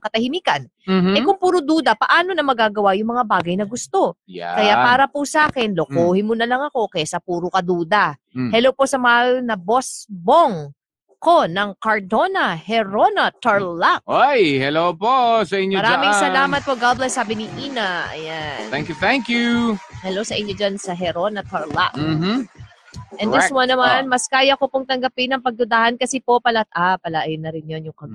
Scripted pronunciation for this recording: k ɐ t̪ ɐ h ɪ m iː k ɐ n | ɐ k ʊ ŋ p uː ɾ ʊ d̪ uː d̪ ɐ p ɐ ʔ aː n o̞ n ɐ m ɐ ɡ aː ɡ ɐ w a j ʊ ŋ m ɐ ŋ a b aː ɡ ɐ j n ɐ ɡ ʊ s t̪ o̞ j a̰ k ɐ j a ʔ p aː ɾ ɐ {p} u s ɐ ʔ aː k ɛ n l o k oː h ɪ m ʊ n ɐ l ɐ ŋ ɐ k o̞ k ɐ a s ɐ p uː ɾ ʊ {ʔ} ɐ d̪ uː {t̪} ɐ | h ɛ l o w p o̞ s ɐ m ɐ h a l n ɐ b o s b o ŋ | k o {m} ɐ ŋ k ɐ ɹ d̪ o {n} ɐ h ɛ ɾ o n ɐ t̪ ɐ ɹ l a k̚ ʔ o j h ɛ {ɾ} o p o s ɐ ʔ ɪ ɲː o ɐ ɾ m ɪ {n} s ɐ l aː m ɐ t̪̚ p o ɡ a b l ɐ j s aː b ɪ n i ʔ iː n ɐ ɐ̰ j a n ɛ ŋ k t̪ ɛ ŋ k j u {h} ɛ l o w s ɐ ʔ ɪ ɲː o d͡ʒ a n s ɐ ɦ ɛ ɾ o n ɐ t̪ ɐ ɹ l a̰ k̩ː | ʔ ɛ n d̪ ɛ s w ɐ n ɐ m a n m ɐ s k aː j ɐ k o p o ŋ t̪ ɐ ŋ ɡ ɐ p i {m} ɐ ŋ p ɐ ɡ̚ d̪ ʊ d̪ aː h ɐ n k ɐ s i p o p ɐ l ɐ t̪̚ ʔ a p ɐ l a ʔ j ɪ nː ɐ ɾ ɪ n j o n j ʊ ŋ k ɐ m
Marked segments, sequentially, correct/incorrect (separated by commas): correct, incorrect, incorrect, incorrect, correct, incorrect, incorrect, correct, incorrect